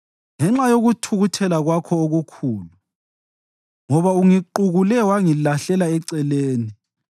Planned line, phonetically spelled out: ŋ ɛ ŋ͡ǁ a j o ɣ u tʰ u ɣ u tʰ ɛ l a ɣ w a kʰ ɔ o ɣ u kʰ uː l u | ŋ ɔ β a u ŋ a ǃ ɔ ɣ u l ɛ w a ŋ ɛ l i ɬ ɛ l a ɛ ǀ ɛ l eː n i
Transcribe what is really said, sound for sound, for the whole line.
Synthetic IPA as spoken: ŋ ɛ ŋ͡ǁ a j o ɣ u tʰ u ɣ u tʰ ɛ l a ɣ w a kʰ ɔ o ɣ u kʰ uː l u | ŋ ɔ β a u ŋ i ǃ u ɣ u l ɛ w a ŋ i l a ɬ ɛ l a ɛ ǀ ɛ l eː n i

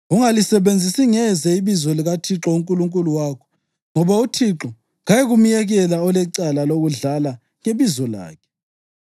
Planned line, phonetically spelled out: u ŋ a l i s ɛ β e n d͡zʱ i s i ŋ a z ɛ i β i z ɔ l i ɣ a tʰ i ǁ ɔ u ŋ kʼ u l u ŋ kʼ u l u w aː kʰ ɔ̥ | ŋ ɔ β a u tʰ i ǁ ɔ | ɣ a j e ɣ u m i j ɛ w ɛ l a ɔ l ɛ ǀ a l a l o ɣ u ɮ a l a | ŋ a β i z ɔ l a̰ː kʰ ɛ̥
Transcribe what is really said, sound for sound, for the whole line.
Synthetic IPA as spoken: u ŋ a l i s ɛ β e n d͡zʱ i s i ŋ ɛ z ɛ i β i z ɔ l i ɣ a tʰ i ǁ ɔ u ŋ kʼ u l u ŋ kʼ u l u w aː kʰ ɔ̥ | ŋ ɔ β a u tʰ i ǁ ɔ | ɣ a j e ɣ u m i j ɛ ɣ ɛ l a ɔ l ɛ ǀ a l a l o ɣ u ɮ a l a | ŋ e β i z ɔ l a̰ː kʰ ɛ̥

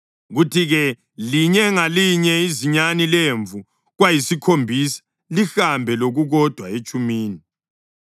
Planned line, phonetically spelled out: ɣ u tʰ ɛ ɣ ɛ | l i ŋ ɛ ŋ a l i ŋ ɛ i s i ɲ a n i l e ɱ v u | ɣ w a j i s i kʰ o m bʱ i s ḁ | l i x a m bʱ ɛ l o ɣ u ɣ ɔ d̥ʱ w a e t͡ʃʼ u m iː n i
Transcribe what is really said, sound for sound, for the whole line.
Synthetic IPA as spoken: ɣ u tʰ i ɣ ɛ | l i ɲ ɛ ŋ a l i ɲ ɛ i z i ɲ a n i l e ɱ v u | ɣ w a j i s i kʰ o m bʱ i s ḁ | l i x a m bʱ ɛ l o ɣ u ɣ ɔ d̥ʱ w a e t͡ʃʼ u m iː n i

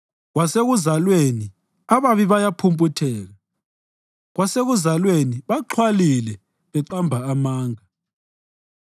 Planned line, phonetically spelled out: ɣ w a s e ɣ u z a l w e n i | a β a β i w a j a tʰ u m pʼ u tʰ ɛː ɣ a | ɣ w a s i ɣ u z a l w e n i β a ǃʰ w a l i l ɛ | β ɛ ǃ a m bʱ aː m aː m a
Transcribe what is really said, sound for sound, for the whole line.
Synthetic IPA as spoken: ɣ w a s e ɣ u z a l w e n i | a β a β i β a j a pʰ u m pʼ u tʰ ɛː ɣ a | ɣ w a s e ɣ u z a l w e n i β a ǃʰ w a l i l ɛ | β ɛ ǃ a m bʱ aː m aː ŋ a

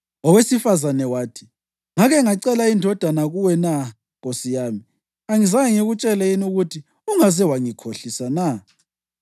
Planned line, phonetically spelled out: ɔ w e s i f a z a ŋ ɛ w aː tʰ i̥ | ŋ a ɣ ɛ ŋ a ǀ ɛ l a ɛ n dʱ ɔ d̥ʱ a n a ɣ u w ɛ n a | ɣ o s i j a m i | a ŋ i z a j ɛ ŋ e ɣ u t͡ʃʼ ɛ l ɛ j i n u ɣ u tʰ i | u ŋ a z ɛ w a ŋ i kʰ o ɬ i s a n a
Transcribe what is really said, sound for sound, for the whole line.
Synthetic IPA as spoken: ɔ w e s i f a z a n ɛ w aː tʰ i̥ | ŋ a ɣ ɛ ŋ a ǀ ɛ l a i n dʱ ɔ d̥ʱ a n a ɣ u w ɛ n a | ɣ o s i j a m i | a ŋ i z a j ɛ ŋ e ɣ u t͡ʃʼ ɛ l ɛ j i n u ɣ u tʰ i | u ŋ a z ɛ w a ŋ i kʰ o ɬ i s a n a

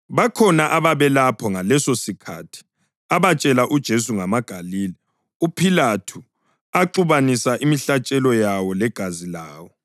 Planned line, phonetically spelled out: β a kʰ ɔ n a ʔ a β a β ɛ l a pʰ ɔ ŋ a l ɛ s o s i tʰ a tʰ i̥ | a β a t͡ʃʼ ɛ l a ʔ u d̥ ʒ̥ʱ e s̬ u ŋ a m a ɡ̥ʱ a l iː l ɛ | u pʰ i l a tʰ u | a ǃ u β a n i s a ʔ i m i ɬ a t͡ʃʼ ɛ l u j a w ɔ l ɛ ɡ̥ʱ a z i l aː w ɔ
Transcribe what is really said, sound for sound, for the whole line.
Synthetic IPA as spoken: β a kʰ ɔ n a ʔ a β a β ɛ l a pʰ ɔ ŋ a l ɛ s o s i kʰ a tʰ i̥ | a β a t͡ʃʼ ɛ l a ʔ u d̥ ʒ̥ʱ e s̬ u ŋ a m a ɡ̥ʱ a l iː l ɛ | u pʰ i l a tʰ u | a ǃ u β a n i s a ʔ i m i ɬ a t͡ʃʼ ɛ l ɔ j a w ɔ l ɛ ɡ̥ʱ a z i l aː w ɔ

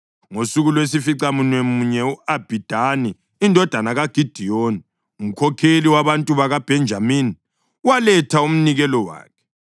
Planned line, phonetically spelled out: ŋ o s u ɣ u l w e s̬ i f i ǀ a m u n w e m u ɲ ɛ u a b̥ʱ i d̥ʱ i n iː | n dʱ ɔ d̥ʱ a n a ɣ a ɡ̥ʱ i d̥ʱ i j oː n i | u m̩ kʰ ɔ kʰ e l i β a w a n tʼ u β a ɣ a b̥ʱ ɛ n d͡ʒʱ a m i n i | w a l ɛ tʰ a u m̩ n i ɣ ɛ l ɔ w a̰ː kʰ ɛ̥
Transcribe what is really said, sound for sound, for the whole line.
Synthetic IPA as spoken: ŋ o s u ɣ u l w e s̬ i f i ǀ a m u n w e m u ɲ ɛ u a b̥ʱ i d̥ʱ a n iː | n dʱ ɔ d̥ʱ a n a ɣ a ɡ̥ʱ i d̥ʱ i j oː n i | u m̩ kʰ ɔ kʰ e l i w a β a n tʼ u β a ɣ a b̥ʱ ɛ n d͡ʒʱ a m i n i | w a l ɛ tʰ a u m̩ n i ɣ ɛ l ɔ w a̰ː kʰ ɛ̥

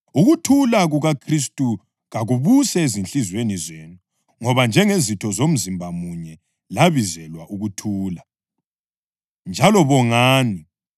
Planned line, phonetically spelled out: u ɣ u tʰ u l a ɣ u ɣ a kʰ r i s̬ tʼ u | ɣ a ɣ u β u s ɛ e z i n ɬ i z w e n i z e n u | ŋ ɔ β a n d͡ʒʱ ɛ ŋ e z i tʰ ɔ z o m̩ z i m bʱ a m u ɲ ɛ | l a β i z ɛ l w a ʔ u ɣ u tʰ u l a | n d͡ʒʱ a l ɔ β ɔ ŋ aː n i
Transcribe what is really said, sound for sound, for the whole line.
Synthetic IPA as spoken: u ɣ u tʰ u l a ɣ u ɣ a kʰ r i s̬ tʼ u | ɣ a ɣ u β u s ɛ e z i n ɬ i z w e n i z e n u | ŋ ɔ β a n d͡ʒʱ ɛ ŋ e z i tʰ ɔ z o m̩ z i m bʱ a m u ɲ ɛ | l a β i z ɛ l w a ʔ u ɣ u tʰ uː l a | n d͡ʒʱ a l ɔ β ɔ ŋ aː n i

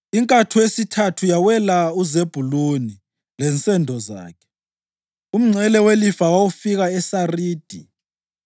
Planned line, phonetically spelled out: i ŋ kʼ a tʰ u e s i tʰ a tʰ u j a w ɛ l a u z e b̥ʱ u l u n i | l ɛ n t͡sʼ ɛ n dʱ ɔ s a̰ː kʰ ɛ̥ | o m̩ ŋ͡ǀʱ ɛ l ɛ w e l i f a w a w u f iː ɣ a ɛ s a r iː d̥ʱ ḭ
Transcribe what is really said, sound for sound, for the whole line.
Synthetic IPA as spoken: i ŋ kʼ a tʰ u e s i tʰ a tʰ u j a w ɛ l a u z e b̥ʱ u l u n i | l ɛ n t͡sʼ ɛ n dʱ ɔ z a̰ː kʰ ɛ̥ | u m̩ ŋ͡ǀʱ ɛ l ɛ w e l i f a w a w u f i ɣ a ɛ s a r iː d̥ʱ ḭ

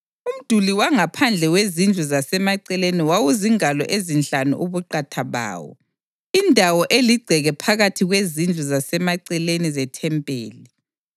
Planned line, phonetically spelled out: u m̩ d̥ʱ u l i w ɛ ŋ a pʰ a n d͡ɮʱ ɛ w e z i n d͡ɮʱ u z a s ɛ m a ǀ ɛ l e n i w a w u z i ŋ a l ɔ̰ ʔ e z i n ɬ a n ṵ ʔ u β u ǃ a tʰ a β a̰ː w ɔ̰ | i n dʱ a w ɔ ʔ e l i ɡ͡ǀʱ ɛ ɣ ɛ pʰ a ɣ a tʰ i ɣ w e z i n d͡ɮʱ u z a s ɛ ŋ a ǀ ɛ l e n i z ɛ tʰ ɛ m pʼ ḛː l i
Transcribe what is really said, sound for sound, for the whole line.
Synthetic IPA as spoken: u m̩ d̥ʱ u l i w a ŋ a pʰ a n d͡ɮʱ ɛ w e z i n d͡ɮʱ u z a s ɛ m a ǀ ɛ l e n i w a w u z i ŋ a l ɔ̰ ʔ e z i n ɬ a n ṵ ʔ u β u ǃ a tʰ a β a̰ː w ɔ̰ | i n dʱ a w ɔ ʔ e l i ɡ͡ǀʱ ɛ ɣ ɛ pʰ a ɣ a tʰ i ɣ w e z i n d͡ɮʱ u z a s ɛ m a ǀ ɛ l e n i z ɛ tʰ ɛ m pʼ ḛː l i

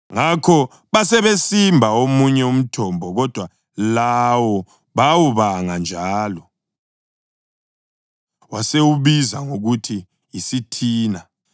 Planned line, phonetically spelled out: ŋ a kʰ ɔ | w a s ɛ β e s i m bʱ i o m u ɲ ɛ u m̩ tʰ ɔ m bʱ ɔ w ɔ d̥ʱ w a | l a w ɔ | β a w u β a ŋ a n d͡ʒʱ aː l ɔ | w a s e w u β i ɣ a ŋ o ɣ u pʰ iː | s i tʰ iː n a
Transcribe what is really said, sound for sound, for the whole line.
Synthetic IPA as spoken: ŋ a kʰ ɔ | β a s ɛ β e s i m bʱ a o m u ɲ ɛ u m̩ tʰ ɔ m bʱ ɔ ɣ ɔ d̥ʱ w a | l a w ɔ | β a w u β a ŋ a n d͡ʒʱ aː l ɔ | w a s e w u β i z a ŋ o ɣ u tʰ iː | s i tʰ iː n a

